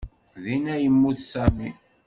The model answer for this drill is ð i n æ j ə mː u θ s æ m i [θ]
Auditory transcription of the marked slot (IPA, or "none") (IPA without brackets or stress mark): none